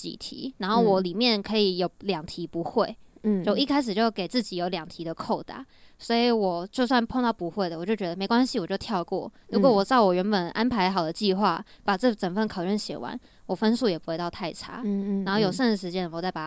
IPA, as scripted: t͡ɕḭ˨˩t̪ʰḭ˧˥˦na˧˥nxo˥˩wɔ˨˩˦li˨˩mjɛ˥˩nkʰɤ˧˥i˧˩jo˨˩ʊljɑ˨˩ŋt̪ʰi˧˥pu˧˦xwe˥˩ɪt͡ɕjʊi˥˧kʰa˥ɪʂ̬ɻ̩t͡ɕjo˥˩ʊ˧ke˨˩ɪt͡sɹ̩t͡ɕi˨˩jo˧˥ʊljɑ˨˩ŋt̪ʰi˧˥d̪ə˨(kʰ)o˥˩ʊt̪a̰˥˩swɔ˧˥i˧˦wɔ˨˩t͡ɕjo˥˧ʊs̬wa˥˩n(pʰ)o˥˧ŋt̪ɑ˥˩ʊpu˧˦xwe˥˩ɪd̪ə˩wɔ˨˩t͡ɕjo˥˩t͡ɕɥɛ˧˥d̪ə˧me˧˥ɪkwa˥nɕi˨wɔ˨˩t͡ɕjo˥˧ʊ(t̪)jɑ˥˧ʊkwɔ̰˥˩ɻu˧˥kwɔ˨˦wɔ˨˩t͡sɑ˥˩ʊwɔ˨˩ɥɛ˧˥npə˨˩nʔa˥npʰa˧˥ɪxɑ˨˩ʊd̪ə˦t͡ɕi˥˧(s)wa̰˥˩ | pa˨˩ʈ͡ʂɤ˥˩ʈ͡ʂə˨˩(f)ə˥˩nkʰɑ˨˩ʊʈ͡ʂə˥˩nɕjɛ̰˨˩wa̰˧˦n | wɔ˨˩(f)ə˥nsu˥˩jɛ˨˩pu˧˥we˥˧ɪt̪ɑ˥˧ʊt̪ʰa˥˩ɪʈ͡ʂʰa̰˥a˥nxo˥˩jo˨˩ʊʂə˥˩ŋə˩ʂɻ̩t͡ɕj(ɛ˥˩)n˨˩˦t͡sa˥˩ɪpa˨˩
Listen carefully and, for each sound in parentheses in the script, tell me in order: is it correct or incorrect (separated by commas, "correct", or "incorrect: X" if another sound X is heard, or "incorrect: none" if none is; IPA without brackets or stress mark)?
correct, correct, incorrect: t̪ʰ, incorrect: x, correct, correct, incorrect: ɛ˥